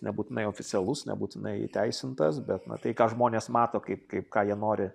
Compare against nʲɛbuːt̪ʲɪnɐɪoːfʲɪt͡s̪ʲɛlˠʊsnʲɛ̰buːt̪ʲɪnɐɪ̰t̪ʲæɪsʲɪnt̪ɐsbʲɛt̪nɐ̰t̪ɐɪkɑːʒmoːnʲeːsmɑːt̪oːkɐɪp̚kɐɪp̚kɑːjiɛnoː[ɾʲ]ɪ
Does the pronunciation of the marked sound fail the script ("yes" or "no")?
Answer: no